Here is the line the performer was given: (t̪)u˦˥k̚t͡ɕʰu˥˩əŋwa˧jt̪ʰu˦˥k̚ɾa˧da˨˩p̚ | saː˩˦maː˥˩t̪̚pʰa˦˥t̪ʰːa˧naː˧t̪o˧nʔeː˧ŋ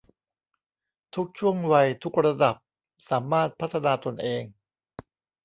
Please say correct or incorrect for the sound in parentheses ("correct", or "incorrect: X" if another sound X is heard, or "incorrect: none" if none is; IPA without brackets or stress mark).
incorrect: t̪ʰ